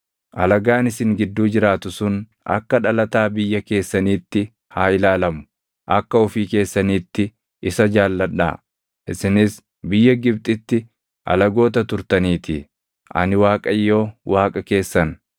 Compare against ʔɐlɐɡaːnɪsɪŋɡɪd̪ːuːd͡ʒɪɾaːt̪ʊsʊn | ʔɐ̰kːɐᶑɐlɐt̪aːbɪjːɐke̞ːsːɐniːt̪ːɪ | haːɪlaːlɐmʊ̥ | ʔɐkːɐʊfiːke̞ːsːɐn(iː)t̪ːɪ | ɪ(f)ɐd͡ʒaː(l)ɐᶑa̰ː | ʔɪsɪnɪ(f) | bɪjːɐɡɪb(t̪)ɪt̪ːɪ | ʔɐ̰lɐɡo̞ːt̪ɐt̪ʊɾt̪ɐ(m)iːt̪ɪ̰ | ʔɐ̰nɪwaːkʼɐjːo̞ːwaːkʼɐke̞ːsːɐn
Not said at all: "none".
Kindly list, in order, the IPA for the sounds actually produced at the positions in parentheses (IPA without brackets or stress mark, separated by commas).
iː, s, lː, s, t̪ʼ, n